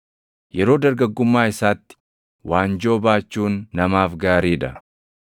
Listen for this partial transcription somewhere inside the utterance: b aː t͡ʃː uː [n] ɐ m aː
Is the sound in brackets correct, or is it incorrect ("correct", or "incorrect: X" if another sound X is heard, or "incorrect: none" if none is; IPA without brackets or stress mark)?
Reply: incorrect: nː